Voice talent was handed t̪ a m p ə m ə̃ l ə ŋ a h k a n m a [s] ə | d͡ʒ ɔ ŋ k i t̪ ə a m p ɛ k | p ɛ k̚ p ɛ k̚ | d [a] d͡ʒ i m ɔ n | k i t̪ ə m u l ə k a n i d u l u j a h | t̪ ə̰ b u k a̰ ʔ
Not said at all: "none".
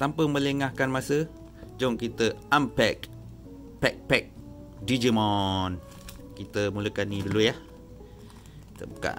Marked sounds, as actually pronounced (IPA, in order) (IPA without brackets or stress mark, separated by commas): s, i